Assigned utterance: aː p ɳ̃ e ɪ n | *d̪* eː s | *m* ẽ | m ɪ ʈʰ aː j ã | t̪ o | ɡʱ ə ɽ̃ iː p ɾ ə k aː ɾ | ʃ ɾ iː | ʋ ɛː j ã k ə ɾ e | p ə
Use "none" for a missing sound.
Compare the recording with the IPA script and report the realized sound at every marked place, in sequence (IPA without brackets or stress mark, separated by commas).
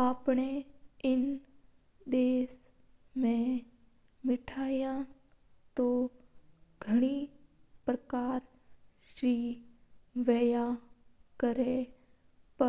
d̪, m